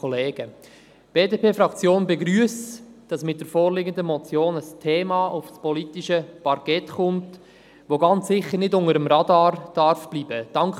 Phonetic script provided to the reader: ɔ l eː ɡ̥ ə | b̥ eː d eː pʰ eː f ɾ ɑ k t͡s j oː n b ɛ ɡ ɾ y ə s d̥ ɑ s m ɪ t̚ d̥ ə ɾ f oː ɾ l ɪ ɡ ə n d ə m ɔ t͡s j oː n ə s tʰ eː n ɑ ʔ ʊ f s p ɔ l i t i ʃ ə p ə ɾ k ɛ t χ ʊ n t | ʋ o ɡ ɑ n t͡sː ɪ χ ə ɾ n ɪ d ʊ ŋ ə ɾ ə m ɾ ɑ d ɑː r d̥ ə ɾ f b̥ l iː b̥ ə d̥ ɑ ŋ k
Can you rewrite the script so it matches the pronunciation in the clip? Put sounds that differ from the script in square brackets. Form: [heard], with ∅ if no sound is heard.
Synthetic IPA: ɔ l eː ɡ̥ ə | b̥ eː d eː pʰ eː f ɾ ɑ k t͡s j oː n b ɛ ɡ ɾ y ə s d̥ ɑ s m ɪ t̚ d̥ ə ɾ f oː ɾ l ɪ ɡ ə n d ə m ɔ t͡s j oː n ə s tʰ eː [m] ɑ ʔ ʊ f s p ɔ l i t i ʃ ə p [ɑ] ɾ k ɛ t χ ʊ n t | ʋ o ɡ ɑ n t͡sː ɪ χ ə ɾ n ɪ d ʊ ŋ ə ɾ ə m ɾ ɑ d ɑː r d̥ [ɑ] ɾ f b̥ l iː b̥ ə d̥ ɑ ŋ k